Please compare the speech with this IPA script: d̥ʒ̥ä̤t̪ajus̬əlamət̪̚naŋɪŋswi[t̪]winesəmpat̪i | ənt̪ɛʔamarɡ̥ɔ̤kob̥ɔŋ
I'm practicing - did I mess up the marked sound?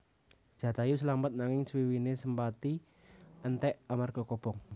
yes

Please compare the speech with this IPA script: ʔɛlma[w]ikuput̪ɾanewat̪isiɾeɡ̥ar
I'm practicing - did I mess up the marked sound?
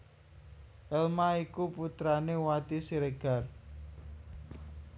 yes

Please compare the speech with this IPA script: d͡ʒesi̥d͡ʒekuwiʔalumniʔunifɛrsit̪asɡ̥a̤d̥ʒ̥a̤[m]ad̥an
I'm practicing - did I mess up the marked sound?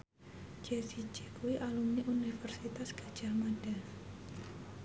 no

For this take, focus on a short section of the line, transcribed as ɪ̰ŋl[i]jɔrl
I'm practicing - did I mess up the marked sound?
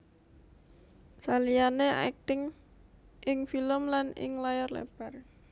yes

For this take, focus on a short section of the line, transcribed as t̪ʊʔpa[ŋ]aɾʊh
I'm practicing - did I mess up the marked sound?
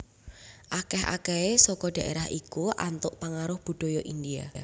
no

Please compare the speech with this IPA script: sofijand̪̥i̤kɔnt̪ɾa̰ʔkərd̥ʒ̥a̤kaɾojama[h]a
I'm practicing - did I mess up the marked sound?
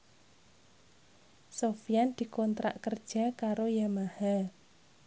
no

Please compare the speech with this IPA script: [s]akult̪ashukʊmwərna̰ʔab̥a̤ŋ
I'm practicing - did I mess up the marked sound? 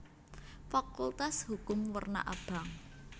yes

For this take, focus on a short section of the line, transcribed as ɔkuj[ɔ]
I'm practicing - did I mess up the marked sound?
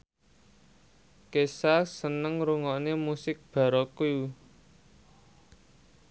yes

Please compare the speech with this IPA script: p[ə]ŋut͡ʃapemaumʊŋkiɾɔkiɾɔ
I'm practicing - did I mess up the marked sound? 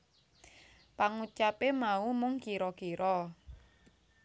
yes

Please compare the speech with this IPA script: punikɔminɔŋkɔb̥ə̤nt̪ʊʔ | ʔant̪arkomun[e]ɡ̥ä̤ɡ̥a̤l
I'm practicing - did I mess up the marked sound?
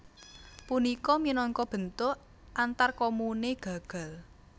no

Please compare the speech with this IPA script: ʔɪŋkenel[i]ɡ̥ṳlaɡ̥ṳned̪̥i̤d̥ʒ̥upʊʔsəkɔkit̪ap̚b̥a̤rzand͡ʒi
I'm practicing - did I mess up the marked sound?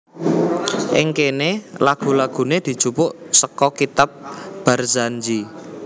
yes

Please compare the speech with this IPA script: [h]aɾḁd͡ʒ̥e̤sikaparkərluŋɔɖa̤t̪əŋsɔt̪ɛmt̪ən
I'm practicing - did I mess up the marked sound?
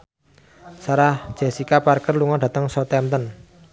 yes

